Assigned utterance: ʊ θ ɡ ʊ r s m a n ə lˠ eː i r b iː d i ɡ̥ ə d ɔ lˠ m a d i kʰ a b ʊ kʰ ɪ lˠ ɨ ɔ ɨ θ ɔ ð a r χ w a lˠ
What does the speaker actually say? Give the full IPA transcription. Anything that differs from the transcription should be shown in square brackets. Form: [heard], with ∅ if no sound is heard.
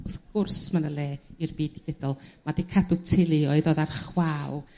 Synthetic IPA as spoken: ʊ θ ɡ ʊ r s m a n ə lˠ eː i r b iː d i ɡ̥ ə d ɔ lˠ m a d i kʰ a [d] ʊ [tʰ] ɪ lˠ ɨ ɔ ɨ [ð] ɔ ð a r χ w a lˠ